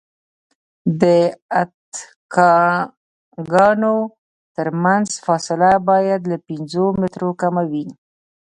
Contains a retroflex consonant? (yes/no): no